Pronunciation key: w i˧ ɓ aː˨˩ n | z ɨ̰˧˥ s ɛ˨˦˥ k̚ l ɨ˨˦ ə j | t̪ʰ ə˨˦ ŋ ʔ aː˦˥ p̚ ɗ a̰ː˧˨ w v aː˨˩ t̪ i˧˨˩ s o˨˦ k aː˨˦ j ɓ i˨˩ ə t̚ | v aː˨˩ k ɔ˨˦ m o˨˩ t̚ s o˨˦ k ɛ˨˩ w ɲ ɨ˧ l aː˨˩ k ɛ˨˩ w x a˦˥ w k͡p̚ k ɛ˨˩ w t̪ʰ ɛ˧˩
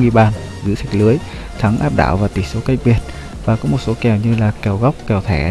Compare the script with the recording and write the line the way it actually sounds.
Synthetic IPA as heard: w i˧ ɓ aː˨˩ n | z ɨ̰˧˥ s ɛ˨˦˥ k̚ l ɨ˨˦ ə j | t̪ʰ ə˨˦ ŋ ʔ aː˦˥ p̚ ɗ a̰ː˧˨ w v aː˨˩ t̪ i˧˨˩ s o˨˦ k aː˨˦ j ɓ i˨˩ ə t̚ | v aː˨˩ k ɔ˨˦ m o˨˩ t̚ s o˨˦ k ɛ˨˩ w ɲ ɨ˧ l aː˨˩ k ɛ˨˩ w ɣ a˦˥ w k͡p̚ k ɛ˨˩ w t̪ʰ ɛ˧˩